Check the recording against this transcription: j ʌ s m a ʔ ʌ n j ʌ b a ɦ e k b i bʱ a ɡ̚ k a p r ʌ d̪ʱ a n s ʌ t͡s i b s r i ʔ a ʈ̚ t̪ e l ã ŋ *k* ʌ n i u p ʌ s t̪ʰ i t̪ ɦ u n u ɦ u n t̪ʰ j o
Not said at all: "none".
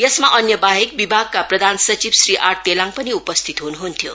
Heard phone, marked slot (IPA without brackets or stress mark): p